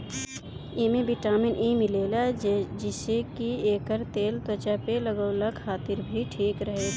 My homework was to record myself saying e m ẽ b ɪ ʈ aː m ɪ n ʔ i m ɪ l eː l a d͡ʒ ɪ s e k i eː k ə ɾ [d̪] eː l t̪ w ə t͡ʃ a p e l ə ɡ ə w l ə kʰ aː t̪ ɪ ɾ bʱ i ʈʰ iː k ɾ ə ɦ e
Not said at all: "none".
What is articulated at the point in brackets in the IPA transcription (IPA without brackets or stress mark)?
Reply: t̪